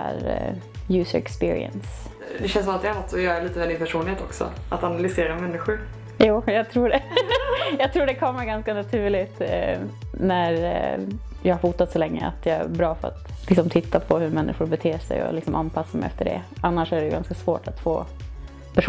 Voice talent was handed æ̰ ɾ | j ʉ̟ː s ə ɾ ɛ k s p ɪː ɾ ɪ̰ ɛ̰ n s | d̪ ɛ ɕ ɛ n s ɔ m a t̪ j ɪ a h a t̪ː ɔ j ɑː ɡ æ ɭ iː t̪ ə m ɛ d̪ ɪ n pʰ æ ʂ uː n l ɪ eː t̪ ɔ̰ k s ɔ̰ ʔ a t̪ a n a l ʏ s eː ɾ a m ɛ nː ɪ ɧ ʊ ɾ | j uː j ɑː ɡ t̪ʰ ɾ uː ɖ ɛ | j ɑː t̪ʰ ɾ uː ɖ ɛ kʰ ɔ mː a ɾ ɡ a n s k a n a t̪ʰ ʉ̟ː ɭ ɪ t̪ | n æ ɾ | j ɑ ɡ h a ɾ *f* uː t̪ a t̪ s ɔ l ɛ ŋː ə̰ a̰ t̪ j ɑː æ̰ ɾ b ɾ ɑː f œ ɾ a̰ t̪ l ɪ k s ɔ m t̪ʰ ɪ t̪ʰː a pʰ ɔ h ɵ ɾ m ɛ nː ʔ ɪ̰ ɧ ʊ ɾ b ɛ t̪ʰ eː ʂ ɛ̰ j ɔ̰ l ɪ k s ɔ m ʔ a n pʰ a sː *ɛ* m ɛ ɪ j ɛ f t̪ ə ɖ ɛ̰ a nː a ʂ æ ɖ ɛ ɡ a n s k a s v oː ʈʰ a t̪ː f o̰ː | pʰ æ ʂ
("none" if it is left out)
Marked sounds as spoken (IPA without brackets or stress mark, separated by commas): f, a